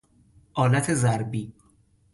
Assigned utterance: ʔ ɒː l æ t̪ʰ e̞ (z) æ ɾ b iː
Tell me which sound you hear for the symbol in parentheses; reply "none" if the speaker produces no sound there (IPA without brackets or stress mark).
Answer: z